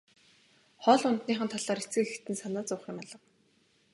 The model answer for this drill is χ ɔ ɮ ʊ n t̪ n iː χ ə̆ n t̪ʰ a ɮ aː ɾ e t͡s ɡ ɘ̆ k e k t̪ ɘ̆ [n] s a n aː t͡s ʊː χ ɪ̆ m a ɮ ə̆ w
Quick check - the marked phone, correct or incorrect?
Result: correct